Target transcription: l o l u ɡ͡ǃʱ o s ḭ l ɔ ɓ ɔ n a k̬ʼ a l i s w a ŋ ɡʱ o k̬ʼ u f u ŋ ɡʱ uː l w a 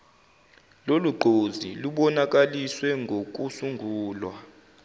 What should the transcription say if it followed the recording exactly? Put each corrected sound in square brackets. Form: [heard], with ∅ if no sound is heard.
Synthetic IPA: l o l u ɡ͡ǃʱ o [z] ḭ l [u] ɓ ɔ n a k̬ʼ a l i s w [ɛ] ŋ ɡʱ o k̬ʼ u [s] u ŋ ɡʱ uː l w a